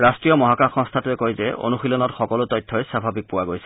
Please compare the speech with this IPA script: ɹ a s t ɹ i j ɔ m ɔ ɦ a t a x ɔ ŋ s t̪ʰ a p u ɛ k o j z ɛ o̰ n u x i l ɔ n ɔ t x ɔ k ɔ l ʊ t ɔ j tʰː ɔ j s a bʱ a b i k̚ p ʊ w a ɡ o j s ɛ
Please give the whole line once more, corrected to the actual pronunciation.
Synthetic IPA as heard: ɹ a s t ɹ i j ɔ m ɔ ɦ a k a x ɔ ŋ s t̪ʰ a t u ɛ k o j z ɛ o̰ n u x i l ɔ n ɔ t x ɔ k ɔ l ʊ t ɔ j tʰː ɔ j s a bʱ a b i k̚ p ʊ w a ɡ o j s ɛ

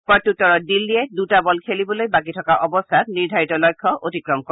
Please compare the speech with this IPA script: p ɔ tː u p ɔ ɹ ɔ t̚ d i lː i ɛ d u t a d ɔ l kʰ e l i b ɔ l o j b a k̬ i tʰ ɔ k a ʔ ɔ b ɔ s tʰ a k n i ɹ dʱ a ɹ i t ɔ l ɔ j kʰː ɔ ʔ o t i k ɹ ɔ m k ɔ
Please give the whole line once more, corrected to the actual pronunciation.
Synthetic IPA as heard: p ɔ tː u t ɔ ɹ ɔ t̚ d i lː i ɛ d u t a b ɔ l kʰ e l i b ɔ l o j b a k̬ i tʰ ɔ k a ʔ ɔ b ɔ s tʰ a t n i ɹ dʱ a ɹ i t ɔ l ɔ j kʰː ɔ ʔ o t i k ɹ ɔ m k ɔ

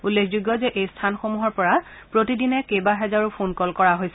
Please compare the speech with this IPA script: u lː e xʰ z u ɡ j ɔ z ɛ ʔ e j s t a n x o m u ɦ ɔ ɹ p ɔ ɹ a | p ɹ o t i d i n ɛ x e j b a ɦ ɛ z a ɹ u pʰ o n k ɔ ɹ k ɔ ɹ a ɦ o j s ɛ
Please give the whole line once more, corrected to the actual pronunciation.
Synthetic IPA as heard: u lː e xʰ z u ɡ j ɔ z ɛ ʔ e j s tʰ a n x o m u ɦ ɔ ɹ p ɔ ɹ a | p ɹ o t i d i n ɛ k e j b a ɦ ɛ z a ɹ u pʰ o n k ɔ l k ɔ ɹ a ɦ o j s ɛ

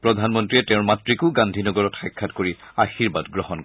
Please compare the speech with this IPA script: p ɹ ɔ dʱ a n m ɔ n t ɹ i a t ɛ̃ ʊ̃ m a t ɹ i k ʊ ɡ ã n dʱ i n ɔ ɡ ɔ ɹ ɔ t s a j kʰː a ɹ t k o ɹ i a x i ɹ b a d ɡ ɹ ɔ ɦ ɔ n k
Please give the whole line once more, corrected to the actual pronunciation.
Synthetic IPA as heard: p ɹ ɔ dʱ a n m ɔ n t ɹ i ɛ t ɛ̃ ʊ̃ m a t ɹ i k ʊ ɡ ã n dʱ i n ɔ ɡ ɔ ɹ ɔ t x a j kʰː a t k o ɹ i a x i ɹ b a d ɡ ɹ ɔ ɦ ɔ n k

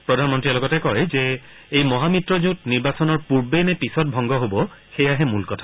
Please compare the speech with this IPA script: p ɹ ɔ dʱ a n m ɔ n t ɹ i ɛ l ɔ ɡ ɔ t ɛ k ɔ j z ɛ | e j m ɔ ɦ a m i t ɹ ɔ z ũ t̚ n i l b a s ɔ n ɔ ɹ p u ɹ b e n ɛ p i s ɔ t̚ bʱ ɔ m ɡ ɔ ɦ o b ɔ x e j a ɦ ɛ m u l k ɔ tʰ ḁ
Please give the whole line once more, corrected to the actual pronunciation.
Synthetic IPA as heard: p ɹ ɔ dʱ a n m ɔ n t ɹ i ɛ l ɔ ɡ ɔ t ɛ k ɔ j z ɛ | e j m ɔ ɦ a m i t ɹ ɔ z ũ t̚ n i ɹ b a s ɔ n ɔ ɹ p u ɹ b e n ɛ p i s ɔ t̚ bʱ ɔ ŋ ɡ ɔ ɦ o b ɔ x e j a ɦ ɛ m u l k ɔ tʰ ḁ

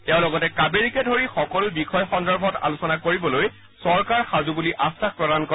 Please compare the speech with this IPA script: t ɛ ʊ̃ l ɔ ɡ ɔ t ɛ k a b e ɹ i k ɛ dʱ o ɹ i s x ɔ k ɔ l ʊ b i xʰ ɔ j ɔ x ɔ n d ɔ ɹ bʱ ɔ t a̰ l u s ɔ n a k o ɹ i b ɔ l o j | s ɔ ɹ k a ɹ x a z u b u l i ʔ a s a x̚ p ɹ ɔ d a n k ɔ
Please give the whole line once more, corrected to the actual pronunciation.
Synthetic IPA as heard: t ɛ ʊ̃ l ɔ ɡ ɔ t ɛ k a b e ɹ i k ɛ dʱ o ɹ i x ɔ k ɔ l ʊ b i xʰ ɔ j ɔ x ɔ n d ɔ ɹ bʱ ɔ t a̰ l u s ɔ n a k o ɹ i b ɔ l o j | s ɔ ɹ k a ɹ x a z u b u l i ʔ a s a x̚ p ɹ ɔ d a n k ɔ

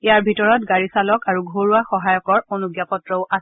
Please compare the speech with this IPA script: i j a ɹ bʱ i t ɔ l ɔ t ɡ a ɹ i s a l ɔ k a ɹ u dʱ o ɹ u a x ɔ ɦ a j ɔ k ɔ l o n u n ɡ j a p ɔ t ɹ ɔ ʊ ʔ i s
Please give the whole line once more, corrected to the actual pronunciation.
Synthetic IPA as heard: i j a ɹ bʱ i t ɔ ɹ ɔ t ɡ a ɹ i s a l ɔ k a ɹ u ɡʱ o ɹ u a x ɔ ɦ a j ɔ k ɔ ɹ o n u ɡ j a p ɔ t ɹ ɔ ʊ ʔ a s

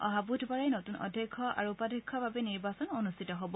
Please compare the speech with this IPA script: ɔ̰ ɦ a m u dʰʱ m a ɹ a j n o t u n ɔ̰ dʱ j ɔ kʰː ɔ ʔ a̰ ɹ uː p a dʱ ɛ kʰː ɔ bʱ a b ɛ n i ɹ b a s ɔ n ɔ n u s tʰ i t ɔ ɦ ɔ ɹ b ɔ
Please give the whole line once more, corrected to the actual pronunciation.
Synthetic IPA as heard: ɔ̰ ɦ a b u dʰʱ b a ɹ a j n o t u n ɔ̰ dʱ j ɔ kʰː ɔ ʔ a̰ ɹ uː p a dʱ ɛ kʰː ɔ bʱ a b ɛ n i ɹ b a s ɔ n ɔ n u s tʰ i t ɔ ɦ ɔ b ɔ

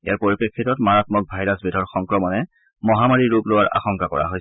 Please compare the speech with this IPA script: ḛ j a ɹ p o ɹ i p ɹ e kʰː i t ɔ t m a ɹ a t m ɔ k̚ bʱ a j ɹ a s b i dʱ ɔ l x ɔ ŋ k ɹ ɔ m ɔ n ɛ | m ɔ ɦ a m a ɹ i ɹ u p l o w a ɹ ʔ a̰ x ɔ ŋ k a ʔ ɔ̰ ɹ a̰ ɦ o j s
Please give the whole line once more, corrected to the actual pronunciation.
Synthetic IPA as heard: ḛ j a ɹ p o ɹ i p ɹ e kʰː i t ɔ t m a ɹ a t m ɔ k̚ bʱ a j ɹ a s b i dʱ ɔ ɹ x ɔ ŋ k ɹ ɔ m ɔ n ɛ | m ɔ ɦ a m a ɹ i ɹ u p l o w a ɹ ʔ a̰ x ɔ ŋ k a k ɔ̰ ɹ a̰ ɦ o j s

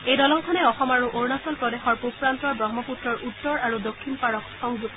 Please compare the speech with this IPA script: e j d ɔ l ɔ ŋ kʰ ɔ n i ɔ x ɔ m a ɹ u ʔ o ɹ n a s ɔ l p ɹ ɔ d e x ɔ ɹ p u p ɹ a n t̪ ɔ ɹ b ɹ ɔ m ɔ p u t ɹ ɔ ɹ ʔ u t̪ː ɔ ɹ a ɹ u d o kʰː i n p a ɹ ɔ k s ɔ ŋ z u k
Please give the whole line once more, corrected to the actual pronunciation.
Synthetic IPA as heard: e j d ɔ l ɔ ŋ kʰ ɔ n ɛ ɔ x ɔ m a ɹ u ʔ o ɹ n a s ɔ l p ɹ ɔ d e x ɔ ɹ p u p ɹ a n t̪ ɔ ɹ b ɹ ɔ m ɔ p u t ɹ ɔ ɹ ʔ u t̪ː ɔ ɹ a ɹ u d o kʰː i n p a ɹ ɔ k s ɔ ŋ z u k

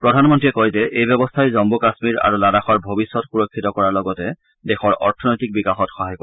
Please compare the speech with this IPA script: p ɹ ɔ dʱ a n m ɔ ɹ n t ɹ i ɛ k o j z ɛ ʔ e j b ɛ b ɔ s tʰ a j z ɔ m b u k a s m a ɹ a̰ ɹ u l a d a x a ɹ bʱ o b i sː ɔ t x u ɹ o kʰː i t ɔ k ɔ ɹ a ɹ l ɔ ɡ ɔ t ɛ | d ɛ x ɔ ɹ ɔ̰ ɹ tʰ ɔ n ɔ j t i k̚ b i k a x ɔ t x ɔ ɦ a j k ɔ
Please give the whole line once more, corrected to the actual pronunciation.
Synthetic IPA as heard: p ɹ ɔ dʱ a n m ɔ n t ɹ i ɛ k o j z ɛ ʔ e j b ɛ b ɔ s tʰ a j z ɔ m b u k a s m i ɹ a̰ ɹ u l a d a x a ɹ bʱ o b i sː ɔ t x u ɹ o kʰː i t ɔ k ɔ ɹ a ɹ l ɔ ɡ ɔ t ɛ | d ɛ x ɔ ɹ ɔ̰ ɹ tʰ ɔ n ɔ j t i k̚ b i k a x ɔ t x ɔ ɦ a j k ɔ

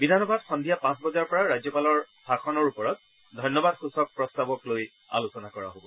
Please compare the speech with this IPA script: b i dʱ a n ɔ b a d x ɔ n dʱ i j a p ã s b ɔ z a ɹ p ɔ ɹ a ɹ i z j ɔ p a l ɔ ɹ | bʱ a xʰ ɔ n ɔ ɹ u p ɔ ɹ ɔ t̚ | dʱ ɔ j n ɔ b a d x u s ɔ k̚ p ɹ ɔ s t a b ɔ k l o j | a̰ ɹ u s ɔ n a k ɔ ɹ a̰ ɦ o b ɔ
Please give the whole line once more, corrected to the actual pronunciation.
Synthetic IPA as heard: b i dʱ a n ɔ b a d x ɔ n dʱ i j a p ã s b ɔ z a ɹ p ɔ ɹ a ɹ a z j ɔ p a l ɔ ɹ | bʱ a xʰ ɔ n ɔ ɹ u p ɔ ɹ ɔ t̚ | dʱ ɔ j n ɔ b a d x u s ɔ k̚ p ɹ ɔ s t a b ɔ k l o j | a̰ l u s ɔ n a k ɔ ɹ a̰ ɦ o b ɔ

